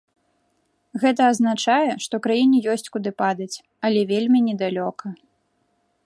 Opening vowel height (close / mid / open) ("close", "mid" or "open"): mid